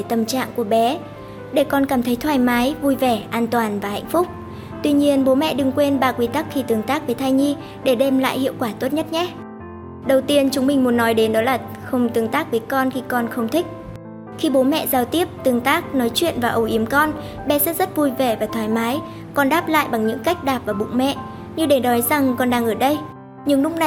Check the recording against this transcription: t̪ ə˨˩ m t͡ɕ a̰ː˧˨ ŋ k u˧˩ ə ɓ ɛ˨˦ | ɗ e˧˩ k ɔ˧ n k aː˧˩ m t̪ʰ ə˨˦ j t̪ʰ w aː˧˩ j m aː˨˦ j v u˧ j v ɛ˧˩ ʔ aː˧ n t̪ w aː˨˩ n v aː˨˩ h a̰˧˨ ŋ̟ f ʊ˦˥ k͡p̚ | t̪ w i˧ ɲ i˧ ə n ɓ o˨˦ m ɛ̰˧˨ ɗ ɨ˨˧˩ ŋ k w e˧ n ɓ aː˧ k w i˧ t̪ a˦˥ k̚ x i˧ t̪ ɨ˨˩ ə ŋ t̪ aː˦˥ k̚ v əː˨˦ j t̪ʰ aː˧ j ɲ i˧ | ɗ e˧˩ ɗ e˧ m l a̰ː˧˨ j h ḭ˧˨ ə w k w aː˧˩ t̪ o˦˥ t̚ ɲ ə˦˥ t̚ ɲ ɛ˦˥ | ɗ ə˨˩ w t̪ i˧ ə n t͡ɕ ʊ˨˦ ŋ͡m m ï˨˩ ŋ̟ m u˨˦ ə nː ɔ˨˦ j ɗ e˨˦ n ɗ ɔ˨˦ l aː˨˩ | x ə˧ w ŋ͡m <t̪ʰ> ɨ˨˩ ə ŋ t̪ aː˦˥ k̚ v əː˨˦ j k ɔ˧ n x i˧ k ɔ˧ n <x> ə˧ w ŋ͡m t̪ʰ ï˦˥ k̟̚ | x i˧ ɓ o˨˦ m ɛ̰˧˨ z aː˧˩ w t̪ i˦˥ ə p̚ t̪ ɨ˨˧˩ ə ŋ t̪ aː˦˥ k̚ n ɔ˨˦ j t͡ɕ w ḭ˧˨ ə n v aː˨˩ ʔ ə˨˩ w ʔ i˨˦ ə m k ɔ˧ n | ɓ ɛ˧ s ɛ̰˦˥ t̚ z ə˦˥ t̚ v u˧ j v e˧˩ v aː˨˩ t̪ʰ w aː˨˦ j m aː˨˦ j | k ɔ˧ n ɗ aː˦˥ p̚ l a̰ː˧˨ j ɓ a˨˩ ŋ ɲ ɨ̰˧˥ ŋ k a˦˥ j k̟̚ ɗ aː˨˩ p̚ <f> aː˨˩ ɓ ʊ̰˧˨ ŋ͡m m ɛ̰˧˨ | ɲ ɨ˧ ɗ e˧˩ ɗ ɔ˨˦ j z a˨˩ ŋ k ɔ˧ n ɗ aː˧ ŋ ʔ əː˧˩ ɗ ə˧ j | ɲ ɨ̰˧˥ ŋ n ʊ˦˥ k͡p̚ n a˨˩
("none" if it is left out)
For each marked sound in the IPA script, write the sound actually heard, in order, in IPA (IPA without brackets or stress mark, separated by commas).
t̪, x, v